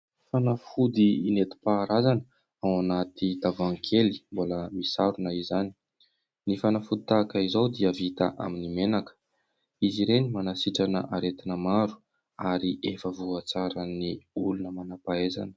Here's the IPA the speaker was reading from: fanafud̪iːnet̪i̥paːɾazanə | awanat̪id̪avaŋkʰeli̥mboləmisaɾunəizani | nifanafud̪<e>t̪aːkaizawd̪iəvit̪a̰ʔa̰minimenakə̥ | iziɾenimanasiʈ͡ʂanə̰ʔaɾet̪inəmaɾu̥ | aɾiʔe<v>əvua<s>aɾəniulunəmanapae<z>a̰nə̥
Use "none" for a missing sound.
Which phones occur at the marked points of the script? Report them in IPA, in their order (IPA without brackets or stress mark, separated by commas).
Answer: i, f, t͡s, z